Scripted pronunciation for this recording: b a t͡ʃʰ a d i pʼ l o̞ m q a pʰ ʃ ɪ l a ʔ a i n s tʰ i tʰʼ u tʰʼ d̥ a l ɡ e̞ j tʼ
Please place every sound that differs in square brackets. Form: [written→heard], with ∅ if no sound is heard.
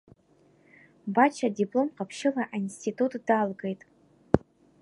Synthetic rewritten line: b a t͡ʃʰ a d i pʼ l o̞ m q a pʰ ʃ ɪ l a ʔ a i n s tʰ i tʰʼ u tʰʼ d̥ a l ɡ e̞ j tʼ